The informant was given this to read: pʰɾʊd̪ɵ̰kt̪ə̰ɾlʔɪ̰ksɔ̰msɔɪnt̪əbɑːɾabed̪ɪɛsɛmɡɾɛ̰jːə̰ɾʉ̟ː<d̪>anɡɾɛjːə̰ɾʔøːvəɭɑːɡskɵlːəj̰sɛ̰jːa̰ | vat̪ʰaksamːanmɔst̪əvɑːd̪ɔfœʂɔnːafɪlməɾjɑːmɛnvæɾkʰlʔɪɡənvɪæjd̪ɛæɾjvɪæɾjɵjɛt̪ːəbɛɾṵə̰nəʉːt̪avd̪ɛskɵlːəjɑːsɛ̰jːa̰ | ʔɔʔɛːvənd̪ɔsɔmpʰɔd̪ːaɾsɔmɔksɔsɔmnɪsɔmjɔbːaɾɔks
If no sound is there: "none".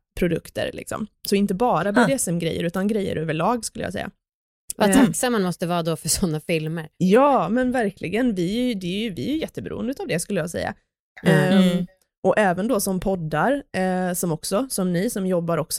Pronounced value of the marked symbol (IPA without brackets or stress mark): t̪